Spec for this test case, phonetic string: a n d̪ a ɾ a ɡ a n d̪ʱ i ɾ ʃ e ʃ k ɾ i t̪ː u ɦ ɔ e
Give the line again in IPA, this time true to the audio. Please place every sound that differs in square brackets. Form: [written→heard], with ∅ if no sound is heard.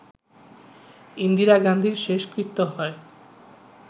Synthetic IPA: [a→i] n d̪ [a→i] ɾ a ɡ a n d̪ʱ i ɾ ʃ e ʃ k ɾ i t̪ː [u→o] ɦ ɔ e